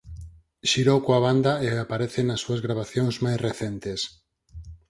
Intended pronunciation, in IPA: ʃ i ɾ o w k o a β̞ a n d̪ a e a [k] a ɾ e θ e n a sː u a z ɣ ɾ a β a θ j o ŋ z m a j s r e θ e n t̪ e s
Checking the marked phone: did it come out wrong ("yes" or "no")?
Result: yes